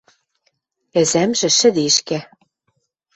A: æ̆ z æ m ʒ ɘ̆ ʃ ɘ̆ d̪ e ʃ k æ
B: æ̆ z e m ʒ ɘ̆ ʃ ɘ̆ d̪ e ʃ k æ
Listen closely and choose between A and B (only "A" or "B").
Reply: A